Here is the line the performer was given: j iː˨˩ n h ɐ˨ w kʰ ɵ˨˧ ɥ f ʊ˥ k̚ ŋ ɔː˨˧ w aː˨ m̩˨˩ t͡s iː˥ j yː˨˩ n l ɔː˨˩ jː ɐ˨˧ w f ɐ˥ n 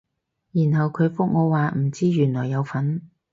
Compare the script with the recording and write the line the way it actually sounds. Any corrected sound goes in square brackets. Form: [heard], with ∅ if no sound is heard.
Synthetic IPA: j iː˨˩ n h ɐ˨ w kʰ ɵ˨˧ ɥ f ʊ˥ k̚ ŋ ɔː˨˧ w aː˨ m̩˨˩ t͡s iː˥ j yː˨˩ n l ɔː˨˩ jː ɐ˨˧ w f [ɐ˨˥] n